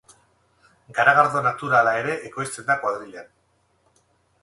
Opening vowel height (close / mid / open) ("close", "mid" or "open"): open